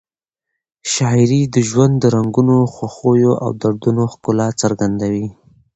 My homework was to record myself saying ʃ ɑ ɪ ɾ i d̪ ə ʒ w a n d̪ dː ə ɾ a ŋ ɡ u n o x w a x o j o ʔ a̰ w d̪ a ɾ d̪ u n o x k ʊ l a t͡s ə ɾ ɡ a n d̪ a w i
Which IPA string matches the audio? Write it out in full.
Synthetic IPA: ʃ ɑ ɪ ɾ i d̪ ə ʒ w a n d̪ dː ə ɾ a ŋ ɡ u n o x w a x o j o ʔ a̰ w d̪ a ɾ d̪ u n o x k ʊ l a t͡s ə ɾ ɡ a n d̪ a w i